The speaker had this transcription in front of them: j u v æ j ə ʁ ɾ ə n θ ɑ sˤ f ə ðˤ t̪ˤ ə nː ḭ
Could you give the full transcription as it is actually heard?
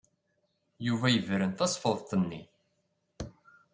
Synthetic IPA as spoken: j u v æ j ə v ɾ ə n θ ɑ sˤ f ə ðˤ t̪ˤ ə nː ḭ